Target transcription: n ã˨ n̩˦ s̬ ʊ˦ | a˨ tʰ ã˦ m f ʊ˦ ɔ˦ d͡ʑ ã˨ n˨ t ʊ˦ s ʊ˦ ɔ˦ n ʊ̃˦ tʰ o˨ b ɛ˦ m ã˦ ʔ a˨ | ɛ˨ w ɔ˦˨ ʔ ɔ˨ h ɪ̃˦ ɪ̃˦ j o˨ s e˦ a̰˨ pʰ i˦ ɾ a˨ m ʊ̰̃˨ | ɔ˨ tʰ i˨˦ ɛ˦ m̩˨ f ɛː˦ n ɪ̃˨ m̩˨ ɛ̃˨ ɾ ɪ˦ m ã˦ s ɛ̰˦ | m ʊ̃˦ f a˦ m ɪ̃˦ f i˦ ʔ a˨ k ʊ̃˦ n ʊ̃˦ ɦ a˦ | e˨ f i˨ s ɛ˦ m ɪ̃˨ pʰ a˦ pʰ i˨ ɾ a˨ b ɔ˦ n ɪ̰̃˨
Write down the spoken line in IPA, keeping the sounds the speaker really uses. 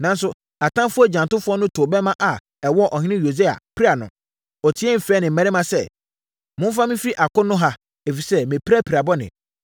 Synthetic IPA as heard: n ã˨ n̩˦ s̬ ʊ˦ | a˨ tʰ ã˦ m f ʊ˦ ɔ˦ d͡ʑ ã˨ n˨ t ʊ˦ f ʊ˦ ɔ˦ n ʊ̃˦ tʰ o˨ b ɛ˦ m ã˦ ʔ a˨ | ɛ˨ w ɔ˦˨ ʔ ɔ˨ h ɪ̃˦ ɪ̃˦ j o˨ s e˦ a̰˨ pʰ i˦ ɾ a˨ n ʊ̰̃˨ | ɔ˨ tʰ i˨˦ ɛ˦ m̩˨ f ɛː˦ n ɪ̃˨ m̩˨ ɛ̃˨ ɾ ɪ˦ m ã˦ s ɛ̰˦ | m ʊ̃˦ f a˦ m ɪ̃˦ f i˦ ʔ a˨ k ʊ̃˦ n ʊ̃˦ ɦ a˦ | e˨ f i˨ s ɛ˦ m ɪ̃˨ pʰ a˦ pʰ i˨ ɾ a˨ b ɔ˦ n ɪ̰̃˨